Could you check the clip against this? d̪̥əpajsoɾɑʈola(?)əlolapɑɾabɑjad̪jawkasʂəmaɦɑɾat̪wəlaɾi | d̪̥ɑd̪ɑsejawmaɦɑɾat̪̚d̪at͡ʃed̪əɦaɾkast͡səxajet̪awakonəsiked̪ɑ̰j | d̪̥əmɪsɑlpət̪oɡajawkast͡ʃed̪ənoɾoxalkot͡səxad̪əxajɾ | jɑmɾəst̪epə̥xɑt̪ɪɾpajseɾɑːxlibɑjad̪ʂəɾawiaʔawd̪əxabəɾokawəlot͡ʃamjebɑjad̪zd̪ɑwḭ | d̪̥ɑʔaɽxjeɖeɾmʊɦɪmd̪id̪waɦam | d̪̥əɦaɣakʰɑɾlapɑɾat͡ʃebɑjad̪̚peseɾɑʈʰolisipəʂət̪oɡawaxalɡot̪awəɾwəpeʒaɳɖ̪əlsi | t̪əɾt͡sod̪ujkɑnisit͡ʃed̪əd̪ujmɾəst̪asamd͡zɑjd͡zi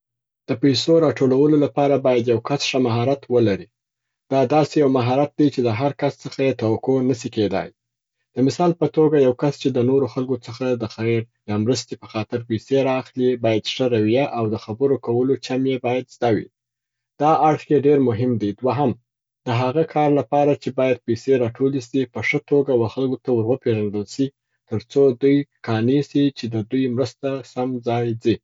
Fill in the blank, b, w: w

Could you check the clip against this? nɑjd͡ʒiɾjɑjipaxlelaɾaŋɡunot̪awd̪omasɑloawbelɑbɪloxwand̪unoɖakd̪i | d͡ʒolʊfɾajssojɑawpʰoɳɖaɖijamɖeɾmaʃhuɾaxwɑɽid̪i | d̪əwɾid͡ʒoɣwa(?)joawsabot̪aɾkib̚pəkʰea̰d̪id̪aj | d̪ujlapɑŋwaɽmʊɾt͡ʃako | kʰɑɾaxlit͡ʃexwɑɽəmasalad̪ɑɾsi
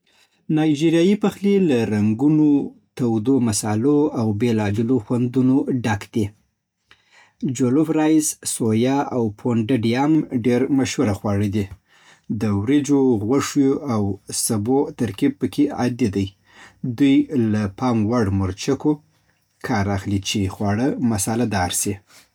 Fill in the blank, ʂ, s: ʂ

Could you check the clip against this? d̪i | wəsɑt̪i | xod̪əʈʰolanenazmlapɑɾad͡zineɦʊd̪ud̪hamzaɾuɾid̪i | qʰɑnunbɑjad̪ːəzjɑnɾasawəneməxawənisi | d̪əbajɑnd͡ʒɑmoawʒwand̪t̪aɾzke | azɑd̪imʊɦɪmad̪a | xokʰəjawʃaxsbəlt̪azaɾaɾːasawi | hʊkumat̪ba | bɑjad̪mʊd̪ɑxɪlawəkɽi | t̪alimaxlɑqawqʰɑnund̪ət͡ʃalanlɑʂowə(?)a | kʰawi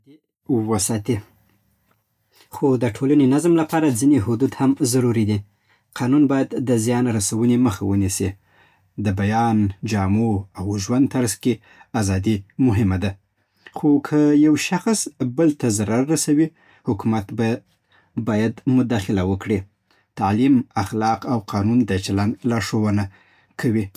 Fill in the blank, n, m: n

